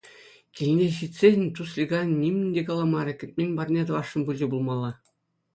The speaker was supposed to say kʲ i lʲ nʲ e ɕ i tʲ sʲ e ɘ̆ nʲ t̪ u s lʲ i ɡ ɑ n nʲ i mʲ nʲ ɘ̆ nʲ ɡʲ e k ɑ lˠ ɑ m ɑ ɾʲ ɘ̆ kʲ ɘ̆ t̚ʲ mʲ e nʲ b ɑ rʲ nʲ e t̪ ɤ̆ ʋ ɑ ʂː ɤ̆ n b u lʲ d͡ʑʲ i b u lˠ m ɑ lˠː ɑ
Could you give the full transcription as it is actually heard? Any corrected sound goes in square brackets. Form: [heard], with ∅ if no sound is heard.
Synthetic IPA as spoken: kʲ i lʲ nʲ e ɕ i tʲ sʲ e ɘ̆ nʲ t̪ u s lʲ i ɡ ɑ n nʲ i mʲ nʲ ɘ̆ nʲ [dʲ] e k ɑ lˠ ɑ m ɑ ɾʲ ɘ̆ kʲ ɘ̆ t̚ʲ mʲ e nʲ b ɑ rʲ nʲ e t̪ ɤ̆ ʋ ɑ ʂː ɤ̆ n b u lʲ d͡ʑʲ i b u lˠ m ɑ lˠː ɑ

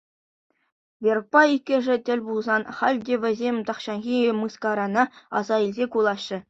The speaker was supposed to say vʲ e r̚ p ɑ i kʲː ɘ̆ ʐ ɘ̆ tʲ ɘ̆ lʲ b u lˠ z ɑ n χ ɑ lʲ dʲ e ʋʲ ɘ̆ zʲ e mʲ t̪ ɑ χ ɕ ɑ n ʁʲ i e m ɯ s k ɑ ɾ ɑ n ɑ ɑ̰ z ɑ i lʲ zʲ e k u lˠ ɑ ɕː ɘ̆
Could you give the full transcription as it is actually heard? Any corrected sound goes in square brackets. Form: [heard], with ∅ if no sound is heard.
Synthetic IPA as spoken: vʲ e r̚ p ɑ i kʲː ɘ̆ ʐ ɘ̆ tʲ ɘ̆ lʲ b u lˠ z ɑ n χ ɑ lʲ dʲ e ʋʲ ɘ̆ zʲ e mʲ t̪ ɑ χ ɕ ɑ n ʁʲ i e m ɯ s k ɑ ɾ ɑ n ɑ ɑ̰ z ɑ i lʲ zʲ e k u lˠ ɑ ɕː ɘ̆

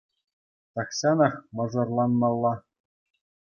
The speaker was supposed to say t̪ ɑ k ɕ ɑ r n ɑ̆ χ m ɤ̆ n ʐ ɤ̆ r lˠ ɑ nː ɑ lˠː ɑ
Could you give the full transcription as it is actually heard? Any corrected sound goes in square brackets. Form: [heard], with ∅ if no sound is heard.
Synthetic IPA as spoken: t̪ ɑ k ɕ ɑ [∅] n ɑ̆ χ m ɤ̆ [∅] ʐ ɤ̆ r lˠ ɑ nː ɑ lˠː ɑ

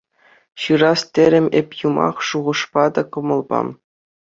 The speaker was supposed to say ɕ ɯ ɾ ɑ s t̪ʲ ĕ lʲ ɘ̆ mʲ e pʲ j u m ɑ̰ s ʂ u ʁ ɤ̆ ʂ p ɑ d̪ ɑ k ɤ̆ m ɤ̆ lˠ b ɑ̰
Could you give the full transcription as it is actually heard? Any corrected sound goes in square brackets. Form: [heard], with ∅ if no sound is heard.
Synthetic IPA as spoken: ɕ ɯ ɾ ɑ s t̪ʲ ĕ [ɾʲ] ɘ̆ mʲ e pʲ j u m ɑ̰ [χ] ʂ u ʁ ɤ̆ ʂ p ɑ d̪ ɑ k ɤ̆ m ɤ̆ lˠ b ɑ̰

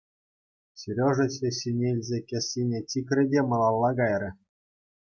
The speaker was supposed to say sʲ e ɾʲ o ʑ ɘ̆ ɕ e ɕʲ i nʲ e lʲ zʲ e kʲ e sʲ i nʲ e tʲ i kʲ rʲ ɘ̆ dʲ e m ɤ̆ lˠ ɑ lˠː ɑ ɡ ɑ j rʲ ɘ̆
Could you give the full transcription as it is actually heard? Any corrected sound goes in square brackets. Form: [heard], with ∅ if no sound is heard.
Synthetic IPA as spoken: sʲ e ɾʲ o [ʐ] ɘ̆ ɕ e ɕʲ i nʲ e lʲ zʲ e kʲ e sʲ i nʲ e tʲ i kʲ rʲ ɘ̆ dʲ e m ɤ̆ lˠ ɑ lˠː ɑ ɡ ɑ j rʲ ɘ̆

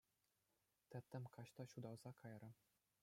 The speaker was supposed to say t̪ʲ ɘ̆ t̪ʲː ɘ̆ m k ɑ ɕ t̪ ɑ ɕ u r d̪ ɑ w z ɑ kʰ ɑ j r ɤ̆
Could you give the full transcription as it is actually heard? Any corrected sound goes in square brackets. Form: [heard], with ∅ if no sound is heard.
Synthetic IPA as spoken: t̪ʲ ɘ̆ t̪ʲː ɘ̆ m k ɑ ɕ t̪ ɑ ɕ u [∅] d̪ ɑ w z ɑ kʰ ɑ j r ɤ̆

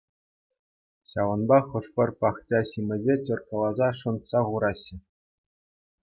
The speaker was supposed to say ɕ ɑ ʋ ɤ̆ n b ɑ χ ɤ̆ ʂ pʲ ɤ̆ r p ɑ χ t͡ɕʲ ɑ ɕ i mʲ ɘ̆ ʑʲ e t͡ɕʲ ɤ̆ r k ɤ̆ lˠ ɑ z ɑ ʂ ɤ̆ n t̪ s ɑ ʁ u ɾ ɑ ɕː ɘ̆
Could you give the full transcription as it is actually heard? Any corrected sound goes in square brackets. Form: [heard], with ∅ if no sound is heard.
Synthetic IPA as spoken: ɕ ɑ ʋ ɤ̆ n b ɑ χ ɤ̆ ʂ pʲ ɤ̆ r p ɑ χ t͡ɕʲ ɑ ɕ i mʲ ɘ̆ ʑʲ e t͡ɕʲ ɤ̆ r k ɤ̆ lˠ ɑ z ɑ ʂ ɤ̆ n t̪ s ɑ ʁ u ɾ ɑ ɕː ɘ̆

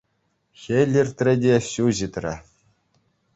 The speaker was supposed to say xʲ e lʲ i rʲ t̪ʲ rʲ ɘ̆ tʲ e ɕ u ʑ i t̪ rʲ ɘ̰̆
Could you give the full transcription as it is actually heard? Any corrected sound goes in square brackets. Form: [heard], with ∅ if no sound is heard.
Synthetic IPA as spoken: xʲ e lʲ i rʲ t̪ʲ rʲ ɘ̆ [dʲ] e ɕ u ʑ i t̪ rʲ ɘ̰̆

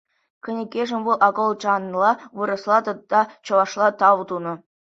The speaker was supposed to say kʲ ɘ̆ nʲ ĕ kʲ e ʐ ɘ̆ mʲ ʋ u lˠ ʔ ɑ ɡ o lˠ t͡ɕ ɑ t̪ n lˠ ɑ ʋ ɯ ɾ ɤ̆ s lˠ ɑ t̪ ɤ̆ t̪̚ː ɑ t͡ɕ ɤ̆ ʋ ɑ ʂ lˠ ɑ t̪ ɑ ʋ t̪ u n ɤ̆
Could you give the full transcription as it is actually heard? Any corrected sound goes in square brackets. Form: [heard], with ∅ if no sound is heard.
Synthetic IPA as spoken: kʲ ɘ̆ nʲ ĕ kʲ e ʐ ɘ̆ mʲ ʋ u lˠ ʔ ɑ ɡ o lˠ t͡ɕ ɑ [∅] n lˠ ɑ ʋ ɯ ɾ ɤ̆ s lˠ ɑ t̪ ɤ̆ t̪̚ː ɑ t͡ɕ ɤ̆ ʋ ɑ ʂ lˠ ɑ t̪ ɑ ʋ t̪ u n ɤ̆

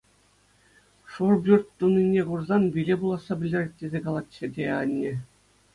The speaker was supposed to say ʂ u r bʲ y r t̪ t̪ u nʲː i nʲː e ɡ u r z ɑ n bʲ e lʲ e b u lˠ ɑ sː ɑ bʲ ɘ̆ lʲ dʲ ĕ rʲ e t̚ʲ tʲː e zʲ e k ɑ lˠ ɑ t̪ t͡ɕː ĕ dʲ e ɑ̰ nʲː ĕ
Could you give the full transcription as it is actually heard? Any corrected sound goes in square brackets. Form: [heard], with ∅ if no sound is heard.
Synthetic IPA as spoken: ʂ u r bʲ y r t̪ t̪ u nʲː i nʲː e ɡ u r z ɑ n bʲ [i] lʲ e b u lˠ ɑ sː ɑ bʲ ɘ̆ lʲ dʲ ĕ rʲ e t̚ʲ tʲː e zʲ e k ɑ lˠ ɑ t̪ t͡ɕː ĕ dʲ e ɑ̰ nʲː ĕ

